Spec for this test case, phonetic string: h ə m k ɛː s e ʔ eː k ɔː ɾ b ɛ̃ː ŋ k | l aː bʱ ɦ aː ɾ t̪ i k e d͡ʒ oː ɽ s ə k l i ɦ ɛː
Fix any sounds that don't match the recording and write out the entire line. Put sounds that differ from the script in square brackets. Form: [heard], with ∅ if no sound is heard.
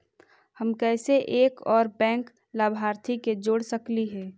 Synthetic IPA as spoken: h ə m k ɛː s e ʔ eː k ɔː ɾ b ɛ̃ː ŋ k | l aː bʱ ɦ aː ɾ [t̪ʰ] i k e d͡ʒ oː ɽ s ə k l i ɦ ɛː